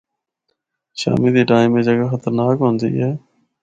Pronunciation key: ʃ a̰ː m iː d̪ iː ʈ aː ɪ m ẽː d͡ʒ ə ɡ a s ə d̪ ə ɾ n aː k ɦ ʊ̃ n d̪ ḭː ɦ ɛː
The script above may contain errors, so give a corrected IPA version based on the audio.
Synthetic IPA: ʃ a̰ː m iː d̪ iː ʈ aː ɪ m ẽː d͡ʒ ə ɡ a x ə t̪ ə ɾ n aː k ɦ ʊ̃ n d̪ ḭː ɦ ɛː